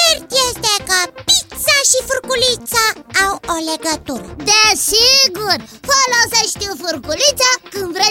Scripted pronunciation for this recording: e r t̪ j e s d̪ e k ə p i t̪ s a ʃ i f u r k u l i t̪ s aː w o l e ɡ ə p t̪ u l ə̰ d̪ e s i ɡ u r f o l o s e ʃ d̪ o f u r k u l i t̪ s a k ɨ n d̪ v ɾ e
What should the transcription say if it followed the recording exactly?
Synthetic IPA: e r t̪ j e s t̪ e k ə p i t̪ s a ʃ i f u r k u l i t̪ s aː w o l e ɡ ə t̪ u ɾ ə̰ d̪ e s i ɡ u r f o l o s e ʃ t̪ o f u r k u l i t̪ s a k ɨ n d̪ v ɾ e